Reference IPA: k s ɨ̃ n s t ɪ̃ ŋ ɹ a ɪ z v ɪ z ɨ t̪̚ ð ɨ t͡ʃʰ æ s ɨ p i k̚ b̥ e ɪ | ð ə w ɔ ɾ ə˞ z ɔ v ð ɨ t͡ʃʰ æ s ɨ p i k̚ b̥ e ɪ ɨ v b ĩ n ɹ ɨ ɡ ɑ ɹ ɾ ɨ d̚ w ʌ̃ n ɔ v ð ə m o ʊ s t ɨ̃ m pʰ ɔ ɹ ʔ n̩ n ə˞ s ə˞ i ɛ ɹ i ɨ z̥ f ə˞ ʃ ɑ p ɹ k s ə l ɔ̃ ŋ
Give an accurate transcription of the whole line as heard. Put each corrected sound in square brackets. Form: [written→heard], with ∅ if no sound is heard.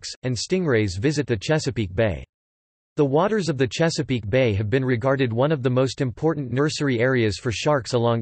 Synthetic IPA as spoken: k s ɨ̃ n s t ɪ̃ ŋ ɹ [a→e] ɪ z v ɪ z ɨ t̪̚ ð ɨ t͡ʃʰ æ s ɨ p i k̚ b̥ e ɪ | ð ə w ɔ ɾ ə˞ z [ɔ→ʌ] v ð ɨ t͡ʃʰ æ s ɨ p i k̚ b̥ e ɪ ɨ v b [ĩ→ɨ̃] n ɹ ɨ ɡ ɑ ɹ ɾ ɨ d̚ w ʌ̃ n [ɔ→ʌ] v ð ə m o ʊ s t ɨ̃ m pʰ ɔ ɹ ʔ n̩ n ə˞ s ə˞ i ɛ ɹ i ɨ z̥ f ə˞ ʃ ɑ [p→∅] ɹ k s ə l ɔ̃ ŋ

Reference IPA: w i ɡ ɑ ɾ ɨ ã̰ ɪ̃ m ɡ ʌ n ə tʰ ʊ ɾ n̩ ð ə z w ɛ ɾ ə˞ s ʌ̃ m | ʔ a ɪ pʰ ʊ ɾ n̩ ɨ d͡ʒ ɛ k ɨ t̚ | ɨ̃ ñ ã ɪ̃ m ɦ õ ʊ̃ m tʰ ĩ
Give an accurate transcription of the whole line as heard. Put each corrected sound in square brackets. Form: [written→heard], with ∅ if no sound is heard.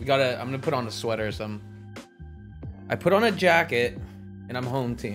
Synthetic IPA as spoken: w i ɡ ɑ ɾ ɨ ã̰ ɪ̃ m ɡ ʌ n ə [tʰ→pʰ] ʊ ɾ n̩ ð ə [z→s] w ɛ ɾ ə˞ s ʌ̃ m | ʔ a ɪ pʰ ʊ ɾ n̩ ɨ d͡ʒ [ɛ→æ] k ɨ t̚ | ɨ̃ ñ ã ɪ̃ m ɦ õ ʊ̃ m tʰ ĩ

